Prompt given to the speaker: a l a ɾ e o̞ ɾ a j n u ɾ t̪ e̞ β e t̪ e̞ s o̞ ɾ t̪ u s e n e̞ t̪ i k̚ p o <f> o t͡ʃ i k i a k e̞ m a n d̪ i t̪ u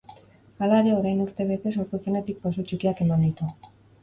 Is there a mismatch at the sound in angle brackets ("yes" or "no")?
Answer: yes